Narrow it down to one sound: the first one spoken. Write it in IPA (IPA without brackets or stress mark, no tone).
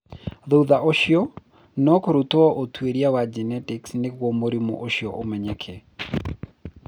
ð